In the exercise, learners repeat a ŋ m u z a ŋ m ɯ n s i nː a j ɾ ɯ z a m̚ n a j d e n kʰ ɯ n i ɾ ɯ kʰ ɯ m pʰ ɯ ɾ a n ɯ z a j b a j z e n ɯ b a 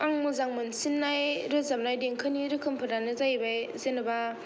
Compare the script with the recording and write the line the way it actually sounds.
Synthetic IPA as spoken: a ŋ m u z a ŋ m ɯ n s i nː a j ɾ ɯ z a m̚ n a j d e ŋ kʰ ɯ n i ɾ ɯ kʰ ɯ m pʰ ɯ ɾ a n ɯ z a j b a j z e n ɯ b a

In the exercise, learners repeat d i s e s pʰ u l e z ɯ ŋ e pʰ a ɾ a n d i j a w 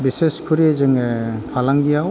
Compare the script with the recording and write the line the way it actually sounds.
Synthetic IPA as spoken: b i s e s kʰ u ɾ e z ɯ ŋ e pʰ a l a ŋ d i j a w

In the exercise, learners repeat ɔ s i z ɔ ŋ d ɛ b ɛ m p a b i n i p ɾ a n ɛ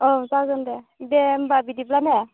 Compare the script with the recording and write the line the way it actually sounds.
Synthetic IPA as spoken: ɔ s a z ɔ n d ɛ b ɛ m b a b i d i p l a n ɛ

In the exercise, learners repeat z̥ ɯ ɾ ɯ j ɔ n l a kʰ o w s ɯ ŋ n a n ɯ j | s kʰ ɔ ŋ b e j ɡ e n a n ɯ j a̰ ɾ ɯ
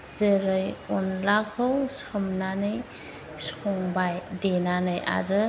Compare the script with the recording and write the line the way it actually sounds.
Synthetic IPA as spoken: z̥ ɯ ɾ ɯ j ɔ n l a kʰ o w s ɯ m n a n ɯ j | s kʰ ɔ ŋ b a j d e n a n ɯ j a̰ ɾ ɯ

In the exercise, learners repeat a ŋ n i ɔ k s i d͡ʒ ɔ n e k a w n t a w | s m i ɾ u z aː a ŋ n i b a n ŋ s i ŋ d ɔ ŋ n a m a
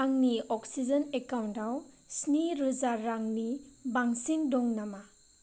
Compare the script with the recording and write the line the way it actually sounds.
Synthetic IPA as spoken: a ŋ n i ɔ k s i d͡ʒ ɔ n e k a w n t a w | s n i ɾ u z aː a ŋ n i b a ŋ s i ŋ d ɔ ŋ n a m a

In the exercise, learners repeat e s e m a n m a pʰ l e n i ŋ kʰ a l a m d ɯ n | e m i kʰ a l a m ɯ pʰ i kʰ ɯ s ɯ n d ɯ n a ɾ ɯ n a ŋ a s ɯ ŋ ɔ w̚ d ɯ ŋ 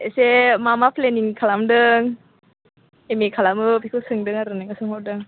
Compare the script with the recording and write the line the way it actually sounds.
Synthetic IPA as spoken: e s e m a m a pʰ l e n i ŋ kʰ a l a m d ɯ ŋ | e m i kʰ a l a m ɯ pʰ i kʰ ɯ s ɯ ŋ d ɯ ŋ a ɾ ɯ n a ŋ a s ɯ ŋ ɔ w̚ d ɯ ŋ

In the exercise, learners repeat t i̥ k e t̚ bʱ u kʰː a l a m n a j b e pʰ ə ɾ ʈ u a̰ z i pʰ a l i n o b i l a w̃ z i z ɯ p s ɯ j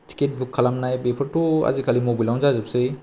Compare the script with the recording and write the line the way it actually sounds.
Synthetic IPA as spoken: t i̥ k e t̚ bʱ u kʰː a l a m n a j b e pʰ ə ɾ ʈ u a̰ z i kʰ a l i m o b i l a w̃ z a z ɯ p s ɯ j

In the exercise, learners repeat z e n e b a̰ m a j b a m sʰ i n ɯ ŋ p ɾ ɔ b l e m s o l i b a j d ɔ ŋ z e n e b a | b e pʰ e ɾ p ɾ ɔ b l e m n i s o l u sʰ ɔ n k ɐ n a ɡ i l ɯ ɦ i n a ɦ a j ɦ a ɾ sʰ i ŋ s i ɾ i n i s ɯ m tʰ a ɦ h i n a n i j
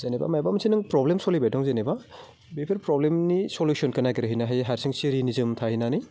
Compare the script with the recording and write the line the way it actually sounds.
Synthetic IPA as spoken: z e n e b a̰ m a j b a m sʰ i n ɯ ŋ p ɾ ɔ b l e m s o l i b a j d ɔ ŋ z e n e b a | b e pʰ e ɾ p ɾ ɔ b l e m n i s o l u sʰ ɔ n k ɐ n a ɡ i ɾ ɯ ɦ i n a ɦ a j ɦ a ɾ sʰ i ŋ s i ɾ i n i z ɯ m tʰ a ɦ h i n a n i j

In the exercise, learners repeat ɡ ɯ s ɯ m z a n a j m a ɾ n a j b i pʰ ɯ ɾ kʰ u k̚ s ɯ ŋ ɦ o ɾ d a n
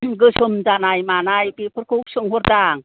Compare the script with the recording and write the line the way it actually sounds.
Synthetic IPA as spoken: ɡ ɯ s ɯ m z a n a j m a n a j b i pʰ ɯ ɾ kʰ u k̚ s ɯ ŋ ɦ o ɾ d a ŋ

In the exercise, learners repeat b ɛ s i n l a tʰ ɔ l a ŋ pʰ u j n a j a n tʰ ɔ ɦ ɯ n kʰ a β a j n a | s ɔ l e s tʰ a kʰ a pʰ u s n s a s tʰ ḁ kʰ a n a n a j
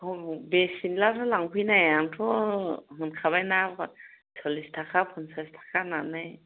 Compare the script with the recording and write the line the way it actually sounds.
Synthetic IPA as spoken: b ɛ s i n l a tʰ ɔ l a ŋ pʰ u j n a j a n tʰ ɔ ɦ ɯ n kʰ a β a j n a | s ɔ l i s tʰ a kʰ a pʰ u n s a s tʰ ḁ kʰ a n a n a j

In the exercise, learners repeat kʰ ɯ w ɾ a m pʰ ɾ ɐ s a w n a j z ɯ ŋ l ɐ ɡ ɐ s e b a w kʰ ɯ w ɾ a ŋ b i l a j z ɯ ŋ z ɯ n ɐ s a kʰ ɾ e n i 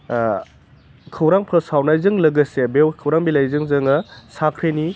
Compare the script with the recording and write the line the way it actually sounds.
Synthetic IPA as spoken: kʰ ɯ w ɾ a ŋ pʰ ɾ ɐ s a w n a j z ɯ ŋ l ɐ ɡ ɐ s e b e w kʰ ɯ w ɾ a ŋ b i l a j z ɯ ŋ z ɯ ŋ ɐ s a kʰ ɾ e n i

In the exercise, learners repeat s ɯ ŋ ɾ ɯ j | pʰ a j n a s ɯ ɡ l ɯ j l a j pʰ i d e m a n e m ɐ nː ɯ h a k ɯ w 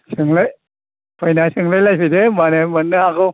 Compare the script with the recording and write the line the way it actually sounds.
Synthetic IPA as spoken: s ɯ ŋ l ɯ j | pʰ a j n a s ɯ ŋ l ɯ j l a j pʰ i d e m a n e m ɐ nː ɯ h a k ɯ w

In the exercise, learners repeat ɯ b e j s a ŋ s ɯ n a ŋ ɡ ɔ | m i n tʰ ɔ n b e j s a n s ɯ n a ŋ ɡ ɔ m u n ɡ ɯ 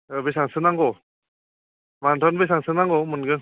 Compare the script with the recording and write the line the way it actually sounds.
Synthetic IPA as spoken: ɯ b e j s a ŋ s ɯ n a ŋ ɡ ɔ | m a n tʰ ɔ n b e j s a ŋ s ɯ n a ŋ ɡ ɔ m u n ɡ ɯ

